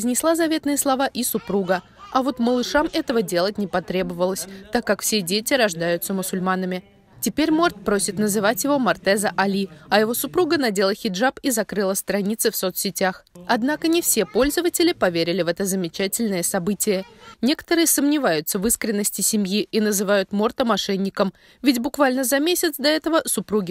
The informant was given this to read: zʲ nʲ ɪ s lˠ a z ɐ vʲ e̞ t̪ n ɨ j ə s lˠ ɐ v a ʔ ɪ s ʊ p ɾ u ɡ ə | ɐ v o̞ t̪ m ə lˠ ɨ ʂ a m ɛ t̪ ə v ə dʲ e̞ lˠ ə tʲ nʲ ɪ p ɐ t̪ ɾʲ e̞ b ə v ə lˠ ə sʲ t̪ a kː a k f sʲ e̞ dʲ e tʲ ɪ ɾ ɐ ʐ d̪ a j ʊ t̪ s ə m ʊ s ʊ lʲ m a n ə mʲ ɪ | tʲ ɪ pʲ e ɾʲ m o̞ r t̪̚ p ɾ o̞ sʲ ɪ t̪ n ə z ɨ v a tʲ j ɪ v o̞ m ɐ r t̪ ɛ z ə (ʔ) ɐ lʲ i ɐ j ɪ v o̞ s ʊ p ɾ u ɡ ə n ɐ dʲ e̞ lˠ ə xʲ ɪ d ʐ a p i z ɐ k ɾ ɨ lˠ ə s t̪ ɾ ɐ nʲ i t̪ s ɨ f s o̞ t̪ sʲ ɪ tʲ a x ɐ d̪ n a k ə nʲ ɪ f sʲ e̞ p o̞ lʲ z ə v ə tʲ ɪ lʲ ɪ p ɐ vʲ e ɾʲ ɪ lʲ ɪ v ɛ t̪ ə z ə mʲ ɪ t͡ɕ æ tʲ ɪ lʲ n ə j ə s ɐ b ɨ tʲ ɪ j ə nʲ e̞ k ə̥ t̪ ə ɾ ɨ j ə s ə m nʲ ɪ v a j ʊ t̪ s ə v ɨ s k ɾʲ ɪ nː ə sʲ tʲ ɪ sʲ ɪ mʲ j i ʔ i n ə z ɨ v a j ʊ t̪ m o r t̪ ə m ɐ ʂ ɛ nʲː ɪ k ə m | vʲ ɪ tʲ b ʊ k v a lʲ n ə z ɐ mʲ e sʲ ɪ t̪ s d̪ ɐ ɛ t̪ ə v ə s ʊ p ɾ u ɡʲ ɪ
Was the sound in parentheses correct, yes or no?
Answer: yes